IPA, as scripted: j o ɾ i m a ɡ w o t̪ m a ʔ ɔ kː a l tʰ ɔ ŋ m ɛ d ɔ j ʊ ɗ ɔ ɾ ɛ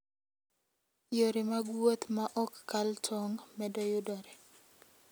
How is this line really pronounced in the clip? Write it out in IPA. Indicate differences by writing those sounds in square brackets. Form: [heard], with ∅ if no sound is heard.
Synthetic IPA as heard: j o ɾ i m a ɡ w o t̪ m a ʔ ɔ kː a l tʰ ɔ ŋ m ɛ d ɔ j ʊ [d] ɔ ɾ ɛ